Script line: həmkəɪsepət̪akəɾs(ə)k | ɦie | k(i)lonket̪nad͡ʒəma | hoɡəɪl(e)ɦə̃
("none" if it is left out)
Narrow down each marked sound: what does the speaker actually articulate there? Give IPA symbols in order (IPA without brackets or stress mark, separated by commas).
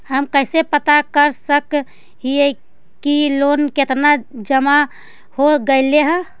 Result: ə, i, e